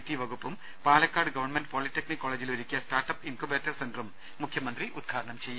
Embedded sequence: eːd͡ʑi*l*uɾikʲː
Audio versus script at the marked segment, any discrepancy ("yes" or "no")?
no